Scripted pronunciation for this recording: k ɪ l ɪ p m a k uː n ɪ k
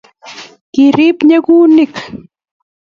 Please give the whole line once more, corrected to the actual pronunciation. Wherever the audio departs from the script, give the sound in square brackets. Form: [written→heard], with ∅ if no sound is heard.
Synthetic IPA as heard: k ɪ [l→ɾ] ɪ p [m→ɲ] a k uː n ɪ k